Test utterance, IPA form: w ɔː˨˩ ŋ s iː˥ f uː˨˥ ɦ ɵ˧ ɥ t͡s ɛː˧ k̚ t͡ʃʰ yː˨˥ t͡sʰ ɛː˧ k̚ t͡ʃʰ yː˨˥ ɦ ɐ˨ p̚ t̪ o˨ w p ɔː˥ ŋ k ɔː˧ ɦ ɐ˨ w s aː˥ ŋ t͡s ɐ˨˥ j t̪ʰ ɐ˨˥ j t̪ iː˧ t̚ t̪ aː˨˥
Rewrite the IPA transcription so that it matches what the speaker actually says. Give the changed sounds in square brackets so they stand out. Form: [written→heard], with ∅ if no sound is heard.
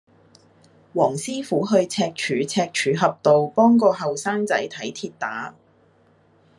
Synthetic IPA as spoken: w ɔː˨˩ ŋ s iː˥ f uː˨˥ ɦ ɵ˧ ɥ [t͡s→t͡sʰ] ɛː˧ k̚ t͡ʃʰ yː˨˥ t͡sʰ ɛː˧ k̚ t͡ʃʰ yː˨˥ ɦ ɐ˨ p̚ t̪ o˨ w p ɔː˥ ŋ k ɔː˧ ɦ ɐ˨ w s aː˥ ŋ t͡s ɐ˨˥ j t̪ʰ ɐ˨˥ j [t̪→t̪ʰ] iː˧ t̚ t̪ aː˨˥